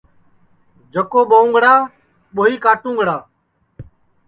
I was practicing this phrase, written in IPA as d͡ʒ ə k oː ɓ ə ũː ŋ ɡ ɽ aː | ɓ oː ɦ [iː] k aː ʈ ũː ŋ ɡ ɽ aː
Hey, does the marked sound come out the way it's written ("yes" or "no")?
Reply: yes